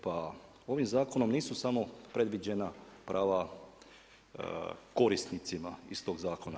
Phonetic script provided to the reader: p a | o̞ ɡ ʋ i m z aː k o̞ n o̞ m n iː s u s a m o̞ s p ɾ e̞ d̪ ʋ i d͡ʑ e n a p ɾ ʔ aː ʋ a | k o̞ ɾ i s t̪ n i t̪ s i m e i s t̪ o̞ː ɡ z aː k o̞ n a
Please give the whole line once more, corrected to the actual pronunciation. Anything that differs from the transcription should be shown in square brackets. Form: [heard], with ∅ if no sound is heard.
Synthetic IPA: p a | o̞ [∅] ʋ i m z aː k o̞ n o̞ m n iː s u s a m o̞ [∅] p ɾ e̞ d̪ ʋ i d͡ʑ e n a p ɾ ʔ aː ʋ a | k o̞ ɾ i s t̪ n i t̪ s i m [a] i s t̪ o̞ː ɡ z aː k o̞ n a